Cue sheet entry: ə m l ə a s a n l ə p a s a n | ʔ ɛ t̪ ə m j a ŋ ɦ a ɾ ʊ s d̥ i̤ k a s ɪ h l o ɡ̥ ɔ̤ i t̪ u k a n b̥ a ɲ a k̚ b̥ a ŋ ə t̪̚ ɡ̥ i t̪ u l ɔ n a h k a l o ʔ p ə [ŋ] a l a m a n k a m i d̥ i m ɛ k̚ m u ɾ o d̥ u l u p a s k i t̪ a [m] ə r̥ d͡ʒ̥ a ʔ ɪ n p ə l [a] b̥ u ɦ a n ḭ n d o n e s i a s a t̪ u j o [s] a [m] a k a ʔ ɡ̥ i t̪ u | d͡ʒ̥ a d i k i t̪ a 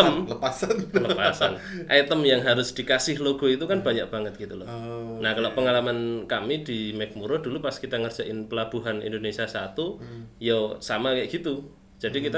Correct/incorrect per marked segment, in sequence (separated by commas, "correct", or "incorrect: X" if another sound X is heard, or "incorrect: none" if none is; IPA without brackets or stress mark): correct, incorrect: ŋ, correct, correct, correct